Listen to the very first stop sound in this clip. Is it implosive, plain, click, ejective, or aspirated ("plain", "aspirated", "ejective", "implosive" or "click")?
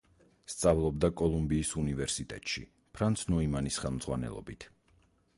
plain